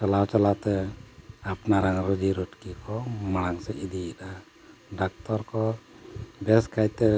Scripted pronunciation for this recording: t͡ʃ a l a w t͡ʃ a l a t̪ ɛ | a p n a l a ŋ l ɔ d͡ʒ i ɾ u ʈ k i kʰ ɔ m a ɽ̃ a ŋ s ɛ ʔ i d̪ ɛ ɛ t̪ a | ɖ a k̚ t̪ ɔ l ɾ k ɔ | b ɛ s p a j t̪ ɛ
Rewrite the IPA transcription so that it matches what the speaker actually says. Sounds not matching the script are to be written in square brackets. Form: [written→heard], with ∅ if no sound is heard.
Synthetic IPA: t͡ʃ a l a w t͡ʃ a l a t̪ ɛ | a p n a [l→ɾ] a ŋ [l→ɾ] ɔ d͡ʒ i ɾ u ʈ k i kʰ ɔ m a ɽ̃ a ŋ s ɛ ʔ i d̪ [ɛ→i] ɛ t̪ a | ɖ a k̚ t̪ ɔ [l→∅] ɾ k ɔ | b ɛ s [p→k] a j t̪ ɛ